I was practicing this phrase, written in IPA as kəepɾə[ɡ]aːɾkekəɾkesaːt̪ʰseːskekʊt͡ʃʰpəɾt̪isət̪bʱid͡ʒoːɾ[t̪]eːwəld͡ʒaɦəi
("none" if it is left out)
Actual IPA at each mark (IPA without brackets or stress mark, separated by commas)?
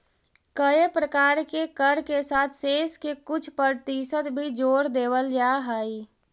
k, d̪